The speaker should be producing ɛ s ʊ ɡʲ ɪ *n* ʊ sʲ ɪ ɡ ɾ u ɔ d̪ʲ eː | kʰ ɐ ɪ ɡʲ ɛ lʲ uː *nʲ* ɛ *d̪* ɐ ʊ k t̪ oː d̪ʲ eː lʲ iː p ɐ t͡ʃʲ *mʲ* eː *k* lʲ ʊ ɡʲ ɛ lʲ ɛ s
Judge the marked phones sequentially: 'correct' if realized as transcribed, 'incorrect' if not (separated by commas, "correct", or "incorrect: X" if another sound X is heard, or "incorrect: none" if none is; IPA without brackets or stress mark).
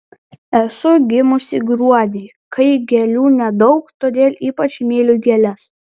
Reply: incorrect: m, correct, correct, correct, incorrect: none